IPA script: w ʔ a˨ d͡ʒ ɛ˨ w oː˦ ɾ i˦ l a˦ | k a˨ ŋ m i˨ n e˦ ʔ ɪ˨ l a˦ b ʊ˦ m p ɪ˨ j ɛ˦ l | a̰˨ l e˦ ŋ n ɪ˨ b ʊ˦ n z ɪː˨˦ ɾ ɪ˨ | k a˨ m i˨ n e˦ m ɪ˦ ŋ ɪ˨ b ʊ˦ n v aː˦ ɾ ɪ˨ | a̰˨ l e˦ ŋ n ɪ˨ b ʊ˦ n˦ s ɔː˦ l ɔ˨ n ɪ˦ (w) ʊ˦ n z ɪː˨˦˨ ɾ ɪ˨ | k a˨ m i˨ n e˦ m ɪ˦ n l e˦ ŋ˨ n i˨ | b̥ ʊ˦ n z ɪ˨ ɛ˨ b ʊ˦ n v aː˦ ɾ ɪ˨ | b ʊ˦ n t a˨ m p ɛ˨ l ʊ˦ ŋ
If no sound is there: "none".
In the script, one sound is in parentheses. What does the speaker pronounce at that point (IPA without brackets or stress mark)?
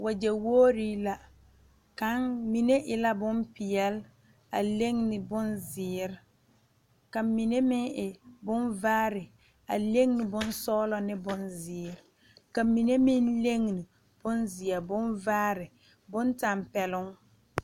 b